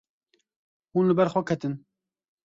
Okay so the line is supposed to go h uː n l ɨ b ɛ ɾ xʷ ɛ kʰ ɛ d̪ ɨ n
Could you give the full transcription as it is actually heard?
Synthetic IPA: h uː n l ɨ b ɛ ɾ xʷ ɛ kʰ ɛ t̪ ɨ n